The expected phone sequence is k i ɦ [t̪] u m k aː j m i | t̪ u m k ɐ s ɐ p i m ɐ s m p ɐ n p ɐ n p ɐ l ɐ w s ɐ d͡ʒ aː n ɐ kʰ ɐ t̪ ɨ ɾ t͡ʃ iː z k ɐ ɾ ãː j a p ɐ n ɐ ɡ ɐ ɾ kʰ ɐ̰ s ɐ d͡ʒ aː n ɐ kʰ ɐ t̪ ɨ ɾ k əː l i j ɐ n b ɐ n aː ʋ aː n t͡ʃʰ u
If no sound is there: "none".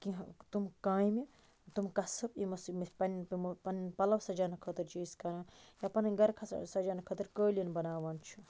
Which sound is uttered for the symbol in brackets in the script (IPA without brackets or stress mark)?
t̪